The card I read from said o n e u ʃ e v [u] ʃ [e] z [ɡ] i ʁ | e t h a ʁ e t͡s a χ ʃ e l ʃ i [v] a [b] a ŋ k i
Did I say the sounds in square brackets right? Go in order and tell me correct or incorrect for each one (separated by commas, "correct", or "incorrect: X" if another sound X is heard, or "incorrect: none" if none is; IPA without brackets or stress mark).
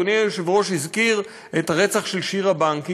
incorrect: o, incorrect: i, incorrect: k, incorrect: ʁ, correct